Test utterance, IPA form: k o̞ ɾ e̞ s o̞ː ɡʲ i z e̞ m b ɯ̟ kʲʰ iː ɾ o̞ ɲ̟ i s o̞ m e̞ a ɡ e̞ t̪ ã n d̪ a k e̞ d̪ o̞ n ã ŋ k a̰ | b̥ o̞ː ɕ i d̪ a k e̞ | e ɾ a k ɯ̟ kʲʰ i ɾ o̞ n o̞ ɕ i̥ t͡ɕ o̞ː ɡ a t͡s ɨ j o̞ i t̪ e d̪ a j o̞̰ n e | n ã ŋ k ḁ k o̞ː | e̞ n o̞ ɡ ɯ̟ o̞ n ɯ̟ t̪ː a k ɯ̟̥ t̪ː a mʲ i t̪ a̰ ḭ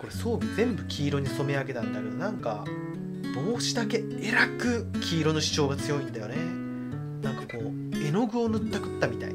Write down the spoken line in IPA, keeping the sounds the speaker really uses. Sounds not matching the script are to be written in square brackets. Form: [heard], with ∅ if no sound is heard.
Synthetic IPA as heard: k o̞ ɾ e̞ s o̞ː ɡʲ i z [ẽ̞] m b ɯ̟ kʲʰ iː ɾ o̞ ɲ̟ i s o̞ m e̞ a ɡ e̞ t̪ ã n d̪ a k e̞ d̪ o̞ n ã ŋ k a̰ | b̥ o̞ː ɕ i d̪ a k e̞ | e ɾ a k ɯ̟ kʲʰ [iː] ɾ o̞ n o̞ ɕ i̥ t͡ɕ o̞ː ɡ a t͡s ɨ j o̞ i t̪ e d̪ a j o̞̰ n e | n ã ŋ k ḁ k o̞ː | e̞ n o̞ ɡ ɯ̟ o̞ n ɯ̟ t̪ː a k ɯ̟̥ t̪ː a mʲ i t̪ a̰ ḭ